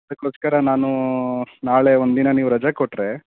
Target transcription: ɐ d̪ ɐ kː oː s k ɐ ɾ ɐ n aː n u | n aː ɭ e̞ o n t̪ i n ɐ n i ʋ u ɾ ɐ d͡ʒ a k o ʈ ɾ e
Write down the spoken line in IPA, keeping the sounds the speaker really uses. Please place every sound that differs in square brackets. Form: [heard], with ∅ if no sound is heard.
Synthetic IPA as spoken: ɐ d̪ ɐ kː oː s k ɐ ɾ ɐ n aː n u | n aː ɭ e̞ o n [d̪] i n ɐ n [iː] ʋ u ɾ ɐ d͡ʒ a k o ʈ ɾ e